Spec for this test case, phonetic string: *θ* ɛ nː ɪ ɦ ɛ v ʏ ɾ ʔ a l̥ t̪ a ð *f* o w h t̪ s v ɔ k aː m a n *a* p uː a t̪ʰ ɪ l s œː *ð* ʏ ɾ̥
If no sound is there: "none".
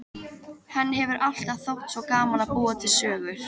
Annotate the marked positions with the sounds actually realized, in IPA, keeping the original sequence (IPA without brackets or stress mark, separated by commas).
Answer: h, θ, a, ɣ